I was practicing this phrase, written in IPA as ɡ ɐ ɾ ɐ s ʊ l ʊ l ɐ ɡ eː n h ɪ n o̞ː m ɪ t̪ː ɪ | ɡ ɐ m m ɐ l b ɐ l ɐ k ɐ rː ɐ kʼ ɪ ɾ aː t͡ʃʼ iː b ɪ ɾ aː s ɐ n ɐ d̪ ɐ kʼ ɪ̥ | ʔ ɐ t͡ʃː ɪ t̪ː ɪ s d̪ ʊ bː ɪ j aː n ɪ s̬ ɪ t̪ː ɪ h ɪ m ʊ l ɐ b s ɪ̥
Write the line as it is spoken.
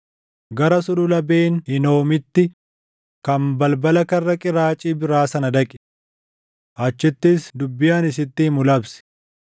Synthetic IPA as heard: ɡ ɐ ɾ ɐ s ʊ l ʊ l ɐ b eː n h ɪ n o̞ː m ɪ t̪ː ɪ | k ɐ m b ɐ l b ɐ l ɐ k ɐ rː ɐ kʼ ɪ ɾ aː t͡ʃʼ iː b ɪ ɾ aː s ɐ n ɐ d̪ ɐ kʼ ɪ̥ | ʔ ɐ t͡ʃː ɪ t̪ː ɪ s d̪ ʊ bː ɪ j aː n ɪ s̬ ɪ t̪ː ɪ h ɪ m ʊ l ɐ b s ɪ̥